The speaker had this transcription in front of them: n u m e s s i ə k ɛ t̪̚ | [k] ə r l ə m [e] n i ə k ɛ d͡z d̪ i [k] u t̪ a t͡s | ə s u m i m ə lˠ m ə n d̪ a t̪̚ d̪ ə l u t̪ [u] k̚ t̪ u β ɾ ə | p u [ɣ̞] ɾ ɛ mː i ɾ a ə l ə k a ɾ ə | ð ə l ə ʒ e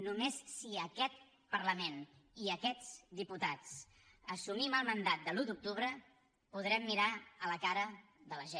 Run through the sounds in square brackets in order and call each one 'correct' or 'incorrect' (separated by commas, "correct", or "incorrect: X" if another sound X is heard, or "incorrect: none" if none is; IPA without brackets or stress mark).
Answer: incorrect: p, correct, incorrect: p, correct, incorrect: ð̞